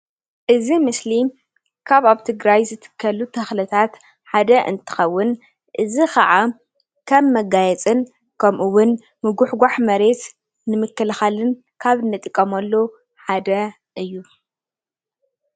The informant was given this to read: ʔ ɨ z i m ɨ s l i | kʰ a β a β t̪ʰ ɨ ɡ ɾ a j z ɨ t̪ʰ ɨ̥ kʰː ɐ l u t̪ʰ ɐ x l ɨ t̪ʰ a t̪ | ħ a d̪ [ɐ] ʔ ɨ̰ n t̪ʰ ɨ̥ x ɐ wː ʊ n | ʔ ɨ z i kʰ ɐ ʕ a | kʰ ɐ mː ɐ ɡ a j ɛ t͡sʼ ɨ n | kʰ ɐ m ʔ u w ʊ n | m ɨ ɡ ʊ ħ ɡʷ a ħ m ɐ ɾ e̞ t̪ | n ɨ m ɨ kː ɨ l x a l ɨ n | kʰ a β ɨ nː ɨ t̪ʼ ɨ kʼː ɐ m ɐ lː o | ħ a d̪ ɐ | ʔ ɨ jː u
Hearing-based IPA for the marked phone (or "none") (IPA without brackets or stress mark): ɐ